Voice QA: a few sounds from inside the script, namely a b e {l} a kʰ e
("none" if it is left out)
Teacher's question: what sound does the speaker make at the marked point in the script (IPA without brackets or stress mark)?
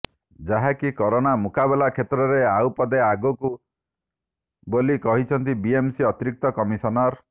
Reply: l